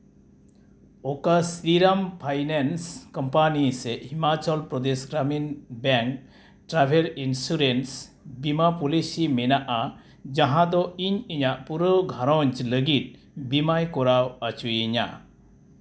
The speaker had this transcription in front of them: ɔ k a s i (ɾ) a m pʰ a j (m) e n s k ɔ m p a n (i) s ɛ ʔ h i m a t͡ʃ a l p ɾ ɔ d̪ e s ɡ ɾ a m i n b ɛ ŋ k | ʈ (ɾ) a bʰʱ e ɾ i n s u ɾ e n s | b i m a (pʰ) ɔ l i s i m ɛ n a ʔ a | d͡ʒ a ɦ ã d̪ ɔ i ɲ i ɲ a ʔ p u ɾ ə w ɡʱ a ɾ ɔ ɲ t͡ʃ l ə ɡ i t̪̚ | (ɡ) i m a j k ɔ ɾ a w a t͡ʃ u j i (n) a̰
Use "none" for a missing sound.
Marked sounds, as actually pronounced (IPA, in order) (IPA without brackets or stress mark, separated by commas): ɾ, n, i, ɾ, p, b, ɲ